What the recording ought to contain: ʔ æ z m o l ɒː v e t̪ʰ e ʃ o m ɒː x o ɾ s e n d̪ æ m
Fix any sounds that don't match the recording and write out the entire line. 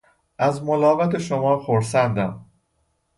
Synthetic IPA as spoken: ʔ æ z m o l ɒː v æ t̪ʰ e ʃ o m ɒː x o ɾ s æ n d̪ æ m